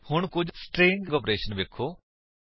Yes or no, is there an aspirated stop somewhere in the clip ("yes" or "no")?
yes